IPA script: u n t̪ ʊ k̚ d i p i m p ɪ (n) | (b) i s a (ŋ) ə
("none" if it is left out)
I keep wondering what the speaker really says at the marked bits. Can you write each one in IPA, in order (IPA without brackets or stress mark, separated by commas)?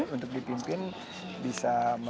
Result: n, b, m